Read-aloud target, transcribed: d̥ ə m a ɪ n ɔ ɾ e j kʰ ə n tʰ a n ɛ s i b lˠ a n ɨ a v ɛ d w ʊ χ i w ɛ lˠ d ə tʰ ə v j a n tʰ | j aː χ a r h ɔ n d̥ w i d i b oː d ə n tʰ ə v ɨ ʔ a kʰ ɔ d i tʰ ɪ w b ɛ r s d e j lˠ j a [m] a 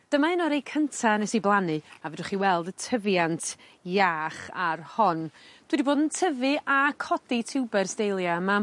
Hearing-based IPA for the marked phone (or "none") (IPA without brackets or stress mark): m